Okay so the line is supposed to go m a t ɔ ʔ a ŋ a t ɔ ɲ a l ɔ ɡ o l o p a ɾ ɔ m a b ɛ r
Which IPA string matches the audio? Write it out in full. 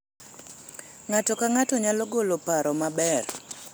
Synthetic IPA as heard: ŋ a t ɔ k a ŋ a t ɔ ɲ a l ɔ ɡ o l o p a ɾ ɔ m a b ɛ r